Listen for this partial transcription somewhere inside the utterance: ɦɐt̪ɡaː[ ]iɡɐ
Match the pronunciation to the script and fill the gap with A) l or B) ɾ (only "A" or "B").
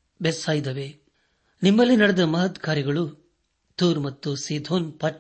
B